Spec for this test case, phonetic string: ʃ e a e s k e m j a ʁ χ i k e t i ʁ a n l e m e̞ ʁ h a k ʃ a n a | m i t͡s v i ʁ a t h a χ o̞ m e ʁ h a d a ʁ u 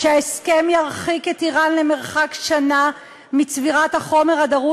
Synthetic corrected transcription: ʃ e a e s k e m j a ʁ χ i k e t i ʁ a n l e m e̞ ʁ χ a k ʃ a n a | m i t͡s v i ʁ a t h a χ o̞ m e ʁ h a d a ʁ u